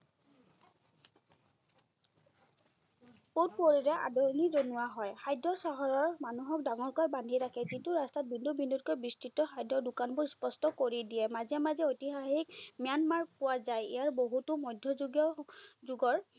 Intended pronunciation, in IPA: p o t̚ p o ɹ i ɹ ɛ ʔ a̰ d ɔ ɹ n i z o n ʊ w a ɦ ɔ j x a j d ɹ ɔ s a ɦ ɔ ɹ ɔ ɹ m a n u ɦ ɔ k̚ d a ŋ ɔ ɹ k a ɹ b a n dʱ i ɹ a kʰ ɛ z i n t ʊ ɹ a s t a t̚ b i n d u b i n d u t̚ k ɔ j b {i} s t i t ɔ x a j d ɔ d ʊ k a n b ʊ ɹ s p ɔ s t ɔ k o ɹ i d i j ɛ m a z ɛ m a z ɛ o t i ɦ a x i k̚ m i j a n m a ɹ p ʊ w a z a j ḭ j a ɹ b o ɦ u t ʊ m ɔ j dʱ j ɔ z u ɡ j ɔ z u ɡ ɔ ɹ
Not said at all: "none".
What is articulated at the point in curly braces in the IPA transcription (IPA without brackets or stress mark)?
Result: i